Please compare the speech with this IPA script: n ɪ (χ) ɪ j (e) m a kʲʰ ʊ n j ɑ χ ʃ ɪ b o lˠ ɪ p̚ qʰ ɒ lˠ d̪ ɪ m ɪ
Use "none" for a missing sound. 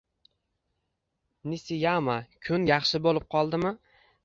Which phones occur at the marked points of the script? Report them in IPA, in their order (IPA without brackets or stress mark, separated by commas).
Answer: s, a